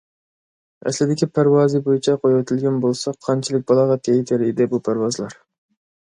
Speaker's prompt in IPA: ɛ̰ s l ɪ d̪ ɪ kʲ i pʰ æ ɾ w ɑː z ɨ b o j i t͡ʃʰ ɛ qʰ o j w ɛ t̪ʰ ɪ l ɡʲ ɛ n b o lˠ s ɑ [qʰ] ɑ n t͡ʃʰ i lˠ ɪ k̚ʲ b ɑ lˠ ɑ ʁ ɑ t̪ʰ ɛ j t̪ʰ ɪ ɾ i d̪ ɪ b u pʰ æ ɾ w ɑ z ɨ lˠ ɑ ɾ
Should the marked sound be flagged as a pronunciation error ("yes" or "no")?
no